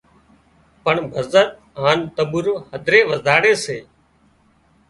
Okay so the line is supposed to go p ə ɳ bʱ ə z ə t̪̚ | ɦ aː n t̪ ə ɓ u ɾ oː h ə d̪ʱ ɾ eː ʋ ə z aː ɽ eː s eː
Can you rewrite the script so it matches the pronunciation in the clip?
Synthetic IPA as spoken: p ə ɳ bʱ ə z ə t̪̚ | ɦ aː n t̪ ə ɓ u ɾ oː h ə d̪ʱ ɾ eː ʋ ə z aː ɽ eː s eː